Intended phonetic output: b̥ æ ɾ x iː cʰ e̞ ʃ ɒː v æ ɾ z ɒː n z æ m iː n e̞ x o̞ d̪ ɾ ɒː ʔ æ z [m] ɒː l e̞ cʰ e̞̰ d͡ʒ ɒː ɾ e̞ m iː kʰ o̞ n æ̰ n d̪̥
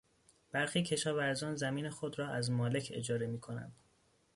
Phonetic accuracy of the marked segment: correct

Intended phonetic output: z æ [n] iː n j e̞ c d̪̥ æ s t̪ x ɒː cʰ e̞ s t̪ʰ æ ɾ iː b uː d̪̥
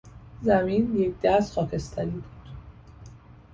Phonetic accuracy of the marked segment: incorrect: m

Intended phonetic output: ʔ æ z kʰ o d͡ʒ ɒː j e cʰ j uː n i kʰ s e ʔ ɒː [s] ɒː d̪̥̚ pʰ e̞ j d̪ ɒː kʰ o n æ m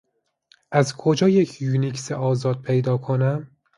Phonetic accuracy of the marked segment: incorrect: z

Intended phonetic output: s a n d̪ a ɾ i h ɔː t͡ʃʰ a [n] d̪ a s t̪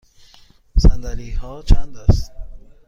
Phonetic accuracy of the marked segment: correct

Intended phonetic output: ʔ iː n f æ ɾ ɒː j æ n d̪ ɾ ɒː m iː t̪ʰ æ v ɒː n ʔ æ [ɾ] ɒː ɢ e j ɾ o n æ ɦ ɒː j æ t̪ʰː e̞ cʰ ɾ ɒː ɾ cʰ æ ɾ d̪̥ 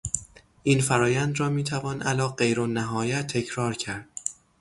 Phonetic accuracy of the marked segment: incorrect: l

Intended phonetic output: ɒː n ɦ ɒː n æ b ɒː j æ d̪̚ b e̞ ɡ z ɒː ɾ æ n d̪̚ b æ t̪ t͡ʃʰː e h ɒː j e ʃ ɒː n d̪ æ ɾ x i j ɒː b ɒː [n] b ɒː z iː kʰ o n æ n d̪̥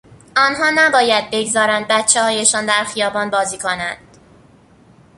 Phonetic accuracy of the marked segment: correct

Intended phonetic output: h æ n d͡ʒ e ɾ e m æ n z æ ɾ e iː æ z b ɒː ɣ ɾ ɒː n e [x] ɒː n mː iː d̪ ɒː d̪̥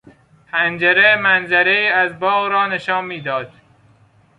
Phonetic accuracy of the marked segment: incorrect: ʃ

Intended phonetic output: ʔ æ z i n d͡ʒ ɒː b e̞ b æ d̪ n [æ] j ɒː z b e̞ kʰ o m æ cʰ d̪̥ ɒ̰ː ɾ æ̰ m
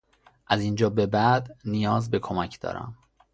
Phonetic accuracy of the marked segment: incorrect: i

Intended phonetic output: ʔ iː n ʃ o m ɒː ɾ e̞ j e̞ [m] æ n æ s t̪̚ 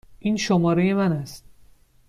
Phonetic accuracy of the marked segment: correct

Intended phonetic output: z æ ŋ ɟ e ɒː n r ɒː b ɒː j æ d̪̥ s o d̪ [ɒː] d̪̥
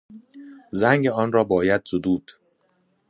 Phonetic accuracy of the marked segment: incorrect: uː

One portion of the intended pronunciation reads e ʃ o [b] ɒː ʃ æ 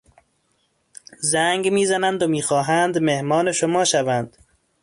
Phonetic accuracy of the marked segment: incorrect: m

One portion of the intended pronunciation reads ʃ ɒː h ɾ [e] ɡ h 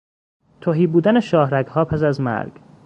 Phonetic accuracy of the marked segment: incorrect: æ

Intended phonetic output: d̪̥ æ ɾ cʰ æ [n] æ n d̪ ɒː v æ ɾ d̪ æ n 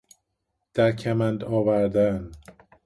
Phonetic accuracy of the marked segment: incorrect: m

